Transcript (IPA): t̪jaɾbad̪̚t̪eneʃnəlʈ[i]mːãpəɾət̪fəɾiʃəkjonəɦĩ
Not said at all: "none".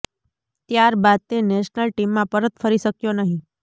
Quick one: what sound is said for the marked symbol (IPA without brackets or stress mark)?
i